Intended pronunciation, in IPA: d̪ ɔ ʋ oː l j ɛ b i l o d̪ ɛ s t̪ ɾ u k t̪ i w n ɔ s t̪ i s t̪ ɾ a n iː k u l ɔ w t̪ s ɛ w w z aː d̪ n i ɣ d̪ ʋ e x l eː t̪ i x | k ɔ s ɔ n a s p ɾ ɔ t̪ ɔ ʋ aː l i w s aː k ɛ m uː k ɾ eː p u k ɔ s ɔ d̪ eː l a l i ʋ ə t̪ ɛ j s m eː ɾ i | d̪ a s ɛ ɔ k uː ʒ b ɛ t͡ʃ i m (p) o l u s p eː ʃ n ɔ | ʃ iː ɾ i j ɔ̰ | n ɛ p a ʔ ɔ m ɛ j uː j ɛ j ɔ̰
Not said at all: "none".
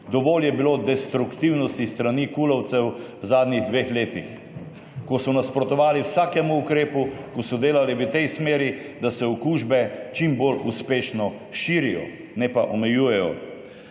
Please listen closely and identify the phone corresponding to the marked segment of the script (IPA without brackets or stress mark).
b